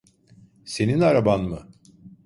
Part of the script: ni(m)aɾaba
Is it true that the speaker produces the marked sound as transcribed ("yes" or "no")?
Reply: no